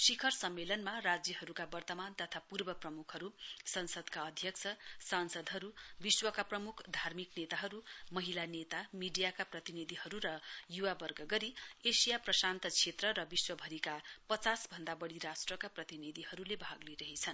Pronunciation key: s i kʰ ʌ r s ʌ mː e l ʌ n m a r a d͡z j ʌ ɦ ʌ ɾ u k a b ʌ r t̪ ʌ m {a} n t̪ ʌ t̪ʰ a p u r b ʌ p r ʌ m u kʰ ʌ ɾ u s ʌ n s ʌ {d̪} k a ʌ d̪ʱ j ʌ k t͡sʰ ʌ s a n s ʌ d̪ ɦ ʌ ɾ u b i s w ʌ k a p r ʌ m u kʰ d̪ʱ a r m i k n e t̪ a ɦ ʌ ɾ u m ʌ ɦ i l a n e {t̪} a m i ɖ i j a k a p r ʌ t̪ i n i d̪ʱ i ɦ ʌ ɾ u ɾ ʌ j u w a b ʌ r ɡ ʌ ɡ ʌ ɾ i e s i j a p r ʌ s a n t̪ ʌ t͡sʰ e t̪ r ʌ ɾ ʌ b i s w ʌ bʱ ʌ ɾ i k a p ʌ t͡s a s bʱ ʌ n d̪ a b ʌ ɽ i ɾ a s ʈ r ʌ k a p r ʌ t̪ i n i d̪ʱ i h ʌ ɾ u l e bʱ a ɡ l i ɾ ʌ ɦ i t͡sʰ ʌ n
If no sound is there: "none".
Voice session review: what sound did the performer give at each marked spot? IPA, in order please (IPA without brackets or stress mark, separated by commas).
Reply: a, d̪, t̪